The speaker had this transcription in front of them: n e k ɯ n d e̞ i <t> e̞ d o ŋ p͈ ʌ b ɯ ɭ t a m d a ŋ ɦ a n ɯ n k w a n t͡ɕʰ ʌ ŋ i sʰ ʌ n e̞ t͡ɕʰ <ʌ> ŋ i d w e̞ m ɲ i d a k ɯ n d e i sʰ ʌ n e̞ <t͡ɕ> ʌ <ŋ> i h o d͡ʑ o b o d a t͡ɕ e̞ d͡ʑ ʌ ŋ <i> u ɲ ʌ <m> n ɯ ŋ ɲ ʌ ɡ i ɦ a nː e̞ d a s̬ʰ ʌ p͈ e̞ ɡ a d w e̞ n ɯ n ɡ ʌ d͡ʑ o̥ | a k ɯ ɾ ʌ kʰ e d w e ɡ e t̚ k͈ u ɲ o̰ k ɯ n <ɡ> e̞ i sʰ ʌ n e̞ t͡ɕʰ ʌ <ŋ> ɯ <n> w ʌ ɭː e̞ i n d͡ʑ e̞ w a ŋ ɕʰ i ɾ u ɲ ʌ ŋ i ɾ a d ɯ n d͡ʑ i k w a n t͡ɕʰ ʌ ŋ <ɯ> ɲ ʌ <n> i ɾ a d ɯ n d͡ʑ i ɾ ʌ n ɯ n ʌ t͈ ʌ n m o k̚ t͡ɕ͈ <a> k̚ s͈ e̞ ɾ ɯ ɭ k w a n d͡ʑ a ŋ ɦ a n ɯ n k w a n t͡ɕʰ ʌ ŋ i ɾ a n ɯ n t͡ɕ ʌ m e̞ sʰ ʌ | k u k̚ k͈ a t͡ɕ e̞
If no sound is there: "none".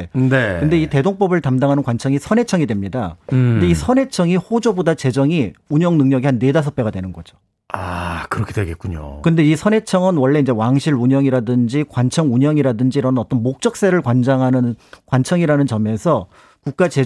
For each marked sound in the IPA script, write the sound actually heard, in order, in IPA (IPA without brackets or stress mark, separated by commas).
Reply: t, ʌ, t͡ɕʰ, ŋ, i, ŋ, d, ŋ, n, u, ŋ, ʌ